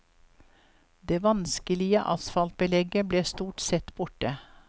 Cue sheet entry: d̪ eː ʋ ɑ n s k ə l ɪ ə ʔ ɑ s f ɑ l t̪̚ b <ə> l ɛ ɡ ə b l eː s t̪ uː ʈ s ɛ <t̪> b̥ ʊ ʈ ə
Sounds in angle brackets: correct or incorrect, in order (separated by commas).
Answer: correct, correct